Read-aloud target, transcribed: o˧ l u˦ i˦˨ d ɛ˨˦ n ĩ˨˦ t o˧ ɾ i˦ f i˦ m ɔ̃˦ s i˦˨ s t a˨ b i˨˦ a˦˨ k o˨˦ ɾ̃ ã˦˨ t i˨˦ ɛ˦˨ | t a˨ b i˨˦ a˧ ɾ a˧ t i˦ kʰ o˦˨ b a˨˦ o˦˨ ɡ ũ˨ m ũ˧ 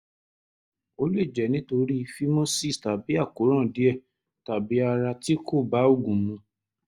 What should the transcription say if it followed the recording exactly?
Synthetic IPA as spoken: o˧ l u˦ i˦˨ d͡ʒ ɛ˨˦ n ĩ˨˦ t o˧ ɾ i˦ f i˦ m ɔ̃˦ s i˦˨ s t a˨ b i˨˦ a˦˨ k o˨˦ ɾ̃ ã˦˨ d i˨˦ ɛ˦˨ | t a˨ b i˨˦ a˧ ɾ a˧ t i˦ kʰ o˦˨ b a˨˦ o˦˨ ɡ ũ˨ m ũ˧

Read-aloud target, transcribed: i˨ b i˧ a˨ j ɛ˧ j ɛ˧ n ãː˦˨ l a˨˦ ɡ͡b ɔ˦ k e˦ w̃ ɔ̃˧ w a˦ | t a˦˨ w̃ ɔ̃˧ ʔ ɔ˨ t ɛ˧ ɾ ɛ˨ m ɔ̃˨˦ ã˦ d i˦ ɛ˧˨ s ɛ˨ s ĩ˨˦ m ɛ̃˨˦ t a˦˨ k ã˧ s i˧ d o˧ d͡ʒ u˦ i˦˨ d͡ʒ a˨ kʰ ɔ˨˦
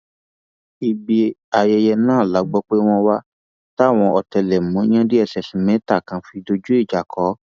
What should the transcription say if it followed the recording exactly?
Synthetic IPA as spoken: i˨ b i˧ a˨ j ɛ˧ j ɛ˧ n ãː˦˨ l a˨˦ ɡ͡b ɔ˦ k͡p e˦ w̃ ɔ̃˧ w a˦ | t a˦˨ w̃ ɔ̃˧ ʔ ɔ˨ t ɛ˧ l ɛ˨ m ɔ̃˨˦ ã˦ d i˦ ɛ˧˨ s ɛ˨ s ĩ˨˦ m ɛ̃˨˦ t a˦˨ k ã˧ f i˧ d o˧ d͡ʒ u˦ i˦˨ d͡ʒ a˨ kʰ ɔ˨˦

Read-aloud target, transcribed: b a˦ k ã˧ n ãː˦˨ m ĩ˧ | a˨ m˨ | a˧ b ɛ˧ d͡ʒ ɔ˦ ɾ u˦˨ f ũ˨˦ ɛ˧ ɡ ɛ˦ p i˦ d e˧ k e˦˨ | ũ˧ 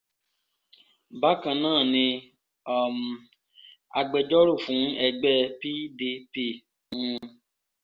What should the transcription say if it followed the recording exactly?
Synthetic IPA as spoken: b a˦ k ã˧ n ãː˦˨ n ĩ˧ | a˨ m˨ | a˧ ɡ͡b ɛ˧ d͡ʒ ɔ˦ ɾ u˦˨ f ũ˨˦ ɛ˧ ɡ͡b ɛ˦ p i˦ d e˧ p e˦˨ | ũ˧

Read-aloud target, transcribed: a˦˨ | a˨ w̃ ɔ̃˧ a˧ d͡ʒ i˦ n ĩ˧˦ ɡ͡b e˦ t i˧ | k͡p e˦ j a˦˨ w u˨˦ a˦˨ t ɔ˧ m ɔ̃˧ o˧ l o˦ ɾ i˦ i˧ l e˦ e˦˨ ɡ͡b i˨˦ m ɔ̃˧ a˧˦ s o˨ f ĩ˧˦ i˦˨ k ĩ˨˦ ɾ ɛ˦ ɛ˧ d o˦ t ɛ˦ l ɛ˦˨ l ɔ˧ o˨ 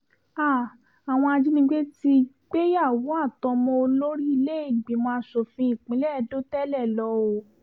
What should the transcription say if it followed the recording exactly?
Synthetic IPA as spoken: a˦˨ | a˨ w̃ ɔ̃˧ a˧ d͡ʒ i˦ n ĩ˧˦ ɡ͡b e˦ t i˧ | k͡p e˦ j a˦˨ w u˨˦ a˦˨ t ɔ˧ m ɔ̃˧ o˧ l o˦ ɾ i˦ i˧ l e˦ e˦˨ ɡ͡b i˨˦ m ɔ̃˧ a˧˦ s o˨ f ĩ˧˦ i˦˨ k͡p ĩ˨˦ l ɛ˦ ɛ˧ d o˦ t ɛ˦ l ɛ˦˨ l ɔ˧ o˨

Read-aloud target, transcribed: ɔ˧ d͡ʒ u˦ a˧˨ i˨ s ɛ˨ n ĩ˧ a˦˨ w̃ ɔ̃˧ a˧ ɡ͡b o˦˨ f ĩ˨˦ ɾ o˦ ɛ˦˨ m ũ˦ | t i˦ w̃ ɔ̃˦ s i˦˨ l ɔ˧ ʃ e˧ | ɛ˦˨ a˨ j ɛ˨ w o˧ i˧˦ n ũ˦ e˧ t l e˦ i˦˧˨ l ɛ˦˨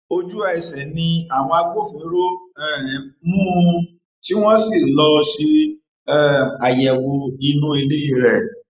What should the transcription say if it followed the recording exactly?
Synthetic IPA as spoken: o˧ d͡ʒ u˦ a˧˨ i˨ s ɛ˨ n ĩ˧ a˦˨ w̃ ɔ̃˧ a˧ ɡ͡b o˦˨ f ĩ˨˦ ɾ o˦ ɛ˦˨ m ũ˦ | t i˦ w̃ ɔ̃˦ s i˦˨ l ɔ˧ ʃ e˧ | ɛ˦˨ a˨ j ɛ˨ w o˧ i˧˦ n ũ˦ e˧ l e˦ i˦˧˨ ɾ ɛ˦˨

